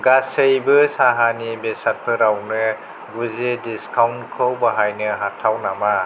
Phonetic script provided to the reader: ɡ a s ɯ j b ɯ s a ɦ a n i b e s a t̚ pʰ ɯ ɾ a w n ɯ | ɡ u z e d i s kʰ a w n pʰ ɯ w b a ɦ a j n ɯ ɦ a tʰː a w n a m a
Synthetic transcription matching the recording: ɡ a s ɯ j b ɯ s a ɦ a n i b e s a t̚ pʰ ɯ ɾ a w n ɯ | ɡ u z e d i s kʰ a w n kʰ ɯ w b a ɦ a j n ɯ ɦ a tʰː a w n a m a